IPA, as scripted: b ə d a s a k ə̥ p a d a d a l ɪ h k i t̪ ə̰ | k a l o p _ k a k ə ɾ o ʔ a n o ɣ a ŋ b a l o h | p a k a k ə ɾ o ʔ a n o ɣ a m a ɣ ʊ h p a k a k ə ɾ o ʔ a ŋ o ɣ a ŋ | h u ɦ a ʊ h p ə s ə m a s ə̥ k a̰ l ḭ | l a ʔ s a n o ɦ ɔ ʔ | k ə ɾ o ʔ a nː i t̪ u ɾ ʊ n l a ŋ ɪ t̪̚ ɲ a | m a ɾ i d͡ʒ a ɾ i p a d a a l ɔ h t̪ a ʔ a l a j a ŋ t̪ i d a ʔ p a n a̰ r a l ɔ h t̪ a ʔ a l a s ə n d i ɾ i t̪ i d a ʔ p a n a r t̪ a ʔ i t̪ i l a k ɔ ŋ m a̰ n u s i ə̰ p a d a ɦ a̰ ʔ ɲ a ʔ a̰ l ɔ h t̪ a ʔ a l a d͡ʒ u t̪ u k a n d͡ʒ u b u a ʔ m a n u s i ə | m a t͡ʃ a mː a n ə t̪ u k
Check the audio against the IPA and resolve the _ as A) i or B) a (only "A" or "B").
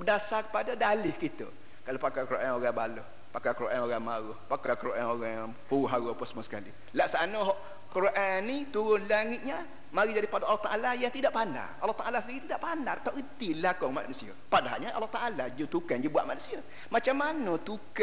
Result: B